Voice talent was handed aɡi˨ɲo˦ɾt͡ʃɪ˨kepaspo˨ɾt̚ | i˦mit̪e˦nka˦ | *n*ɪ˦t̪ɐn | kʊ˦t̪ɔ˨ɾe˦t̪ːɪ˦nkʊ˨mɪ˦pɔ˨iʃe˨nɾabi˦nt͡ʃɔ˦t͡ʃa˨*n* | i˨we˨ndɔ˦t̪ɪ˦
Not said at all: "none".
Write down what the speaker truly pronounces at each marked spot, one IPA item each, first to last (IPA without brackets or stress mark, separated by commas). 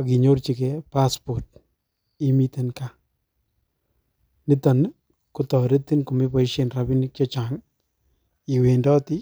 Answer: n, ŋ